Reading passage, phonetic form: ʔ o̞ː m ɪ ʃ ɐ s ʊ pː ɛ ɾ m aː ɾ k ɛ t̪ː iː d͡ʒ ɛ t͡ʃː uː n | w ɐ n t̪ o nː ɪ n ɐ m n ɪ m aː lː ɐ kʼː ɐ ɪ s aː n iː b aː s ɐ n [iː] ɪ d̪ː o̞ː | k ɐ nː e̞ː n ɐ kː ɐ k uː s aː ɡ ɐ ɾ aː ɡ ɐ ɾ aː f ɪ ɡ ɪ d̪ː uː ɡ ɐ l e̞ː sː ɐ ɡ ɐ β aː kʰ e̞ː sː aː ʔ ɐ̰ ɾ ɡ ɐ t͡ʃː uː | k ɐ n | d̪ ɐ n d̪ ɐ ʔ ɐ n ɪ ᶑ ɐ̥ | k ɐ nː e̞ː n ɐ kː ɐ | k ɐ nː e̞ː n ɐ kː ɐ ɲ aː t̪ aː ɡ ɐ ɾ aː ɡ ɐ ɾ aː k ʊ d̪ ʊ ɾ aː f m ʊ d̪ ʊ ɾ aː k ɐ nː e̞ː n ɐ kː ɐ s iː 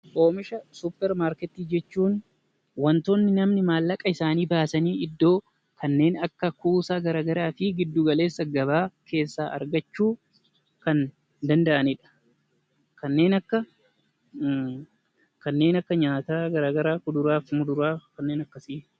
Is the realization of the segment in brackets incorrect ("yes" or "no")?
no